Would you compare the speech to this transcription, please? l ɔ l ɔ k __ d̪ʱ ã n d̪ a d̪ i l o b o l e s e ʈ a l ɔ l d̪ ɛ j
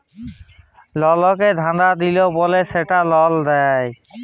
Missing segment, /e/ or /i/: e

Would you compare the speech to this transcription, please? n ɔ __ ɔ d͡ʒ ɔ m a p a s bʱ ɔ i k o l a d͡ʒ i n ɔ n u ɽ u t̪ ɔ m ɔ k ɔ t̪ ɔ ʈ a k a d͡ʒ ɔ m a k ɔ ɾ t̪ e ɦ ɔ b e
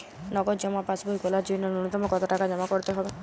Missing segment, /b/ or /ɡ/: ɡ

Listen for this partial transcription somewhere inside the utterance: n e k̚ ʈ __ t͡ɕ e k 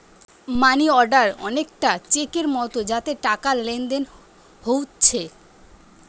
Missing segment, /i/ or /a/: a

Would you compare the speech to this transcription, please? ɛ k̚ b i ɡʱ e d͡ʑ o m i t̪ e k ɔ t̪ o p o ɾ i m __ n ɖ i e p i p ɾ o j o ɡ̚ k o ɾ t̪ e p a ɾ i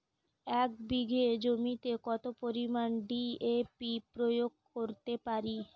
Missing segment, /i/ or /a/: a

